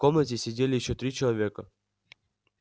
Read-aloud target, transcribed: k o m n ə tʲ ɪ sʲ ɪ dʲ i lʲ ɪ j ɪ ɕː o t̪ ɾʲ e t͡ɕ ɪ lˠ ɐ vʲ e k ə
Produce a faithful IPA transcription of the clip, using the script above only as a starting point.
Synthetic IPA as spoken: k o m n ə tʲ ɪ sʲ ɪ dʲ e lʲ ɪ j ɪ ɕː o t̪ ɾʲ i t͡ɕ ɪ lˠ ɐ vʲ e k ə